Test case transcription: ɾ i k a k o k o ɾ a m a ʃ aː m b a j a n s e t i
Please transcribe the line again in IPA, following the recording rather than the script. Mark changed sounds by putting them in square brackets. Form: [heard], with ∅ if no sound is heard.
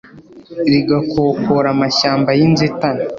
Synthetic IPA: ɾ i [ɡ] a k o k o ɾ a m a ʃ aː m b a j [i] n [z] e t [a]